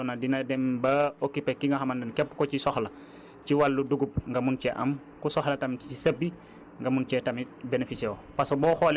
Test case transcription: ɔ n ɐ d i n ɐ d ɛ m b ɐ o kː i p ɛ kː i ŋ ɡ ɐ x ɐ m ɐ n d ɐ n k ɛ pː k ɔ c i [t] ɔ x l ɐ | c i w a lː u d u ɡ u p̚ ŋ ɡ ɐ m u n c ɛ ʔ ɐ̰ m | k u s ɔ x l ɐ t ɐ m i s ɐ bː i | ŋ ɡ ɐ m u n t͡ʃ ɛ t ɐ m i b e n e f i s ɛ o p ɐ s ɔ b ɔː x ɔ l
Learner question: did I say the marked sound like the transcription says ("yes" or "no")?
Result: no